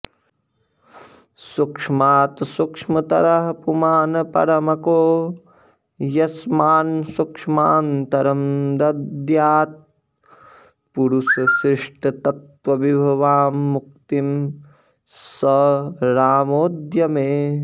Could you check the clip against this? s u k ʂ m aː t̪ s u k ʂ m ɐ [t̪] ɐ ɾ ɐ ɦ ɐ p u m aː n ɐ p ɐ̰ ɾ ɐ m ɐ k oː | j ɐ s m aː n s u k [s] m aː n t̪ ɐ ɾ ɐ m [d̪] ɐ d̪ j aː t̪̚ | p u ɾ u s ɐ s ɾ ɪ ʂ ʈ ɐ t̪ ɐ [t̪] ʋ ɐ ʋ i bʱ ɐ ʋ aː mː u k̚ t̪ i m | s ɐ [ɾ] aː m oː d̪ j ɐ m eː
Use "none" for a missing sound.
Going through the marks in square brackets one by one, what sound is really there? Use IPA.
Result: t̪, ʂ, d̪, t̪, ɾ

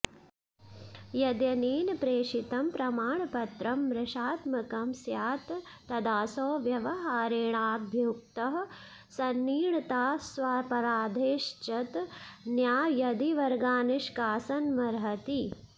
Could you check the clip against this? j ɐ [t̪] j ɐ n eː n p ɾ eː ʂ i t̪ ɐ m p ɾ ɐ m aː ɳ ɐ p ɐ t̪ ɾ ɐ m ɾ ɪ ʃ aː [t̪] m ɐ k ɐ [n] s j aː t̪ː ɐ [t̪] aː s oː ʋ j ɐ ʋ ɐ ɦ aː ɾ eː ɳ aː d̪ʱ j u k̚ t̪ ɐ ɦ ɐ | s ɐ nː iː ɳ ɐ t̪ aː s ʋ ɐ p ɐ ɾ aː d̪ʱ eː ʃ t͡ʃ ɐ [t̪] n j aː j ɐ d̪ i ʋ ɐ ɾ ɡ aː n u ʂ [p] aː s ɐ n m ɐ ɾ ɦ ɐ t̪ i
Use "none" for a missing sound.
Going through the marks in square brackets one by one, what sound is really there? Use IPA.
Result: d̪, t̪, m, d̪, t̪, k

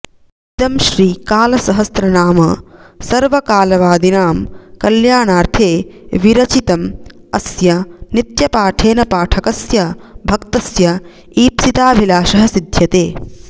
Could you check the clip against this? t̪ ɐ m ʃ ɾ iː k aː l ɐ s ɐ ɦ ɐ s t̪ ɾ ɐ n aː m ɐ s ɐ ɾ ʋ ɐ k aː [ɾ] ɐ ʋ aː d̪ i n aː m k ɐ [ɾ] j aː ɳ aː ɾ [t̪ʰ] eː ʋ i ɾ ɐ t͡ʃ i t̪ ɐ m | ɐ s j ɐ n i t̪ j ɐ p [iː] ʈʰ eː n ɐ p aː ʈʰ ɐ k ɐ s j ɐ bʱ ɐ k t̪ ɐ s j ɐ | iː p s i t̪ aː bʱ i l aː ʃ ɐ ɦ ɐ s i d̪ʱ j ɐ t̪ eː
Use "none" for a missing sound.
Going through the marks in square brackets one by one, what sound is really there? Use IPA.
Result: l, l, t̪ʰ, aː

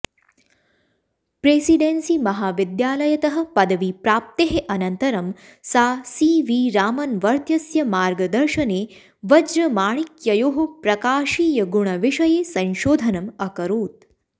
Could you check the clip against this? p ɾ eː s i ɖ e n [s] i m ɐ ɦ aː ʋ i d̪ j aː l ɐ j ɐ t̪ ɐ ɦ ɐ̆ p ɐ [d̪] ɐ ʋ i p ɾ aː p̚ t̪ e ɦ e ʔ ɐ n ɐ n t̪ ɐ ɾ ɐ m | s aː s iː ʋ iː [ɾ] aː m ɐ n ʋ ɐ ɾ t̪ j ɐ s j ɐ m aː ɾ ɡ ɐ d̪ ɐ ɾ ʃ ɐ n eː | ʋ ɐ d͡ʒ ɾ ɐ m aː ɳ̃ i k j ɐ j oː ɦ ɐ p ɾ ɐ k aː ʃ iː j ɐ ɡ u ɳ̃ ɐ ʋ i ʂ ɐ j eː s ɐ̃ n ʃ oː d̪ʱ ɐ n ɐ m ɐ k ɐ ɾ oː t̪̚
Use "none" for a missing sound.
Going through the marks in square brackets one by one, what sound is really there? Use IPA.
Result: s, d̪, ɾ

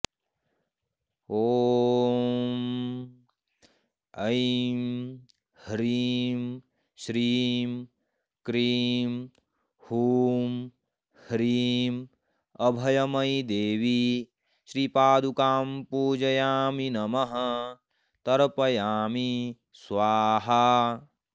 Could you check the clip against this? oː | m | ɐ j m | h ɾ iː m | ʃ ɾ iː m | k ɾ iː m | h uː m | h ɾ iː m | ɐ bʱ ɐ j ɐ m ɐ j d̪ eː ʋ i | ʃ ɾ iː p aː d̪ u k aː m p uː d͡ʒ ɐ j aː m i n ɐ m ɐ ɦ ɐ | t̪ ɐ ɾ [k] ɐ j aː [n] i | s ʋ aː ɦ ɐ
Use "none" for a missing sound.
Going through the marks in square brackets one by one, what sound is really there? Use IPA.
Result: p, m

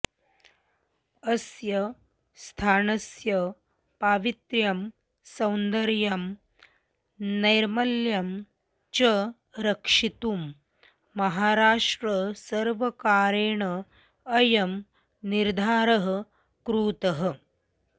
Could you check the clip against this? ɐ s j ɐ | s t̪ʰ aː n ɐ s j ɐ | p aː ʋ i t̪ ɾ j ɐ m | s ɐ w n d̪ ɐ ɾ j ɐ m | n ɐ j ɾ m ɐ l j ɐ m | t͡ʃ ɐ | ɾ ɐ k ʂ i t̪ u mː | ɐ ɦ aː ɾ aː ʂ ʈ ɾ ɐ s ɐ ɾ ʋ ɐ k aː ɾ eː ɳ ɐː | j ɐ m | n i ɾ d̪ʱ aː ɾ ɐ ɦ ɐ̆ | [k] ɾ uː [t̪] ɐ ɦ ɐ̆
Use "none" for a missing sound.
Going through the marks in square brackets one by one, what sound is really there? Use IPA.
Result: k, t̪

